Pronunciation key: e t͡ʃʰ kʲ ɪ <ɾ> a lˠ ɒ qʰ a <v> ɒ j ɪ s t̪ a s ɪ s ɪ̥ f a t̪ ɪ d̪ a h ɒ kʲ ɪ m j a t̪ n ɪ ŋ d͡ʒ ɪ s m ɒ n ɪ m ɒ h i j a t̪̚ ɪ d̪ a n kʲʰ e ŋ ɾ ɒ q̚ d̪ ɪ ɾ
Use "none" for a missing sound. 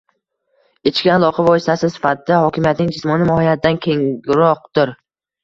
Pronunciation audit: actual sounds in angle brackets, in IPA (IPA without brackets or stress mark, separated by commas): none, v